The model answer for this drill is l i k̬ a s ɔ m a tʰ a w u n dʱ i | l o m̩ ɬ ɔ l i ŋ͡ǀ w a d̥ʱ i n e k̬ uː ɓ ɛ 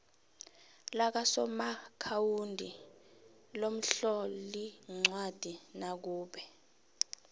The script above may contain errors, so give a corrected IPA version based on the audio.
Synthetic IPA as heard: l a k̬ a s ɔ m a kʰ a w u n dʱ i | l o m̩ ɬ ɔ l i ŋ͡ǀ w a d̥ʱ i n a k̬ uː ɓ ɛ